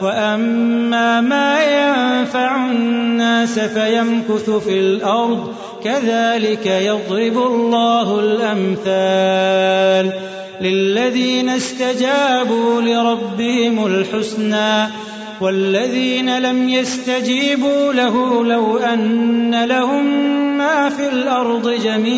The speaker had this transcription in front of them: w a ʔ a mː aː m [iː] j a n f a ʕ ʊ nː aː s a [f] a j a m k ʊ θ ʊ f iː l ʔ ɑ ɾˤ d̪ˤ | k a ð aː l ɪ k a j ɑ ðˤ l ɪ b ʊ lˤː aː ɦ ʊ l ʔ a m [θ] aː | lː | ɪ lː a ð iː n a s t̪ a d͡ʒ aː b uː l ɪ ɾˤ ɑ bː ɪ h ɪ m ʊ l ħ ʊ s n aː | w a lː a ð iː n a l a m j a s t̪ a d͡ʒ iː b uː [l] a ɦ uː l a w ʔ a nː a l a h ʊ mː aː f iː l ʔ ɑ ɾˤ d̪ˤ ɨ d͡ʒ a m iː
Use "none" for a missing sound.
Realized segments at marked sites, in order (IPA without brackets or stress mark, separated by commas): aː, f, θ, l